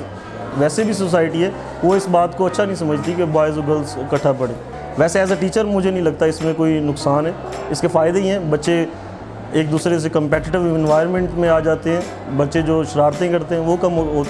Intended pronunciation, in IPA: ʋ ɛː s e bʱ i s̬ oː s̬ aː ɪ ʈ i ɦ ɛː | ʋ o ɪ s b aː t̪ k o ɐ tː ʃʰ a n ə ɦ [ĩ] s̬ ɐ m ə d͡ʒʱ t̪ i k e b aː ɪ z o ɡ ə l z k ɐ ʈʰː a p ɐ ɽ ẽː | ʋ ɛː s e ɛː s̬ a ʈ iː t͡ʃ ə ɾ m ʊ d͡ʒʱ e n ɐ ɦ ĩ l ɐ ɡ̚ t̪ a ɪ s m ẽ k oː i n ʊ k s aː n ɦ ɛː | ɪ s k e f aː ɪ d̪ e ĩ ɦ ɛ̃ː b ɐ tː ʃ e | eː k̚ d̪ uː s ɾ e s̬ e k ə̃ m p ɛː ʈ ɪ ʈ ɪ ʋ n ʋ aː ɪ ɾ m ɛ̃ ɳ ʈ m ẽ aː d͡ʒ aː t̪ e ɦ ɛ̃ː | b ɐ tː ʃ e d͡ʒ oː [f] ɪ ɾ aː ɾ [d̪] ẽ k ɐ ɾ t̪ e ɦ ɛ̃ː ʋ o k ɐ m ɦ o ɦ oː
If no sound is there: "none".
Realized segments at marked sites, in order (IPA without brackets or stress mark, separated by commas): ĩ, ʃ, t̪